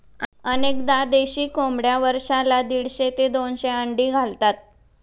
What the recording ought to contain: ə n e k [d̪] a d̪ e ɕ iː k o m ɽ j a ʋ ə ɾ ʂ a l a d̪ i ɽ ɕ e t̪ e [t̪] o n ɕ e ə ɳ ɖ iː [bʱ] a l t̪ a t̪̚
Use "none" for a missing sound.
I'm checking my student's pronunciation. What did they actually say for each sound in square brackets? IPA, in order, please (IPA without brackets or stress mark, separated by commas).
d̪, d̪, ɡʱ